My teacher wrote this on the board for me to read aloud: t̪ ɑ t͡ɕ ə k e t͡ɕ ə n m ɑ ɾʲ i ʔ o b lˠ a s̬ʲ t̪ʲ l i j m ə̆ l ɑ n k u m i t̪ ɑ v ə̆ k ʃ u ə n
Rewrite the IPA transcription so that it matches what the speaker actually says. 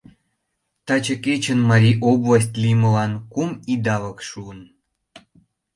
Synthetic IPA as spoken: t̪ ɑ t͡ɕ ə k e t͡ɕ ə n m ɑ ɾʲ i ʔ o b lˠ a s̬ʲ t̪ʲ l i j m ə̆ l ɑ n k u m i d̪ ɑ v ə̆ k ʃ u ə n